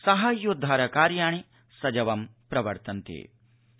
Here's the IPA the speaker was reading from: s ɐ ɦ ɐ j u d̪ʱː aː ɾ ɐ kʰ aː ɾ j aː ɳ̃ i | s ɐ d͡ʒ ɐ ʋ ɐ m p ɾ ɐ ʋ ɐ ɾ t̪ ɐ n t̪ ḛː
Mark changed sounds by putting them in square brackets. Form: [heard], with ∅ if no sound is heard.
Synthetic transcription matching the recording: s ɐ ɦ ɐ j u d̪ʱː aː ɾ ɐ [k] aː ɾ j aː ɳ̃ i | s ɐ d͡ʒ ɐ ʋ ɐ m p ɾ ɐ ʋ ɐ ɾ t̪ ɐ n t̪ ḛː